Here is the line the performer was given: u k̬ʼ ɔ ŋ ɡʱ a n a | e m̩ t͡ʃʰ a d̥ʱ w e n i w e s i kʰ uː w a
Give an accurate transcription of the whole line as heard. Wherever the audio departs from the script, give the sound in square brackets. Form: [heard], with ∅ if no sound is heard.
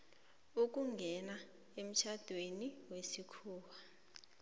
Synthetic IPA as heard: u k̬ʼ [u] ŋ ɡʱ [ɛ] n a | e m̩ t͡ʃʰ a d̥ʱ w e n i w e s i kʰ uː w a